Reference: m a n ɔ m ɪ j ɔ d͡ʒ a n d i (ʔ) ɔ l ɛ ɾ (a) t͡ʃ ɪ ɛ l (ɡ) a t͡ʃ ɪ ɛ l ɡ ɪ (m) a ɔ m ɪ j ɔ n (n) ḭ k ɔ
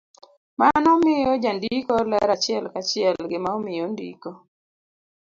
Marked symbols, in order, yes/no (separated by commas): no, yes, no, yes, no